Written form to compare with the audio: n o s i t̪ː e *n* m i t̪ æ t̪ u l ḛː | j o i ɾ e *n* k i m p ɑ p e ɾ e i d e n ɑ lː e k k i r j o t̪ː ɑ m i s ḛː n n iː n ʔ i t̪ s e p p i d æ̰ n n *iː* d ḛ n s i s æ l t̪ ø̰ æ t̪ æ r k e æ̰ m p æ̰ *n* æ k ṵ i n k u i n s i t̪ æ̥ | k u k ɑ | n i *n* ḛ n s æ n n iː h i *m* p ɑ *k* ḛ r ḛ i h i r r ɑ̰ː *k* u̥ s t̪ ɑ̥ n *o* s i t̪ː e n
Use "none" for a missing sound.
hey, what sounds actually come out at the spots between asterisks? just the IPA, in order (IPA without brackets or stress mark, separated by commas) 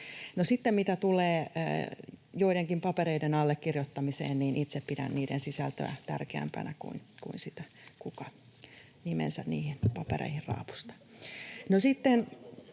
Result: m, ŋ, iː, n, m, n, p, p, o